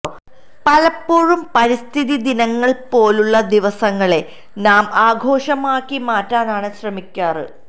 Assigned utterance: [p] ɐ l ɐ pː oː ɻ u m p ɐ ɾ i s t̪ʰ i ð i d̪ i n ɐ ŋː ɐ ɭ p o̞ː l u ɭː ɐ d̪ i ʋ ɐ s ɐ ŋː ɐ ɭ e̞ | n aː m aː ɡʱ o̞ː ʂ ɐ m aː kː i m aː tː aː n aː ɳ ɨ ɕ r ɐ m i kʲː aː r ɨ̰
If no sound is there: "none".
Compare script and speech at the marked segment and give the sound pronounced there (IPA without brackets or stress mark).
p